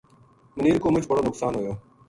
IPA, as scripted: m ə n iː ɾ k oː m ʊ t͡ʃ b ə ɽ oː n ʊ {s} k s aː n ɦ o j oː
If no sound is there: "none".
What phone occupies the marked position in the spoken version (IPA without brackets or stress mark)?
none